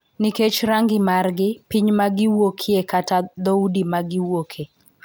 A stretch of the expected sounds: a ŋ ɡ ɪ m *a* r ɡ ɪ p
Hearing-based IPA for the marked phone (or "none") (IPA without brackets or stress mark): a